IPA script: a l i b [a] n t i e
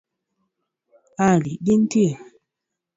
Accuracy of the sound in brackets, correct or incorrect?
incorrect